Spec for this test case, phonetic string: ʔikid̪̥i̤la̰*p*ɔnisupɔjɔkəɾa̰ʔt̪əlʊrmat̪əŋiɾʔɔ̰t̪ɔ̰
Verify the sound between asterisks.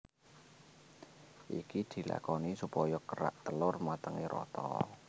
incorrect: k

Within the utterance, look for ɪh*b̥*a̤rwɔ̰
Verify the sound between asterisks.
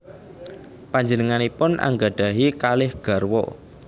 incorrect: ɡ̥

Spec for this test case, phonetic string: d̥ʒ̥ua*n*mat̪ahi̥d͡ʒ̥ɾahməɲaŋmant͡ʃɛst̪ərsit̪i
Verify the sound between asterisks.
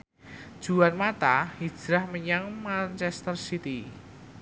correct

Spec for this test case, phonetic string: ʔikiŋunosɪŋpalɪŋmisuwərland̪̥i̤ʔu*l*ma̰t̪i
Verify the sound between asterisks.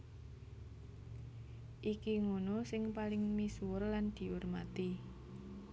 incorrect: r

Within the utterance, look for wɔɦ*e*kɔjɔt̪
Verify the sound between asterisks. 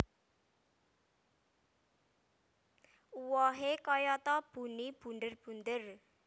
correct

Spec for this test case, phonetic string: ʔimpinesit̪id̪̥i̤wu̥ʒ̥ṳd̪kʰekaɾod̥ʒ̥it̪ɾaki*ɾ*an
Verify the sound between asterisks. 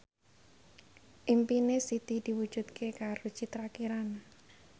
correct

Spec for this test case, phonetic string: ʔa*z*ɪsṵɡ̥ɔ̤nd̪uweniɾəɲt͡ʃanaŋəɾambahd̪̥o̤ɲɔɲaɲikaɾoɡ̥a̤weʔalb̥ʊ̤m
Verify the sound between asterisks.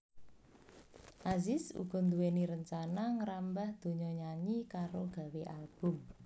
correct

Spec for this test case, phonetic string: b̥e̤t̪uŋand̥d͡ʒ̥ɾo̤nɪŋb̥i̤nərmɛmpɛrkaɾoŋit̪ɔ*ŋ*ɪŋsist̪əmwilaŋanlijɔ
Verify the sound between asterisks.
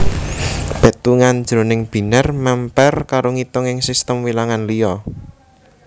correct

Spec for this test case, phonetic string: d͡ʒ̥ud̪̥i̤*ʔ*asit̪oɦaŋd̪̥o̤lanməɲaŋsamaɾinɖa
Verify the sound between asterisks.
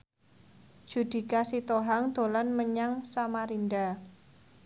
incorrect: k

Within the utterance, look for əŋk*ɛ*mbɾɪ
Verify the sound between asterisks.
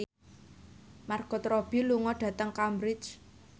incorrect: a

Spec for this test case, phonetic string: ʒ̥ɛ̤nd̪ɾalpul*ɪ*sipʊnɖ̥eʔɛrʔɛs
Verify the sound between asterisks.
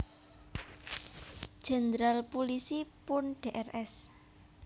incorrect: i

